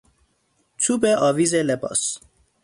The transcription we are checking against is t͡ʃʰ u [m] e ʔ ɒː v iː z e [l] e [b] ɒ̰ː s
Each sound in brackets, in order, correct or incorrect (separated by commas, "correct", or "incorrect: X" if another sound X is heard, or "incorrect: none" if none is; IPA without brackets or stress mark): incorrect: b, correct, correct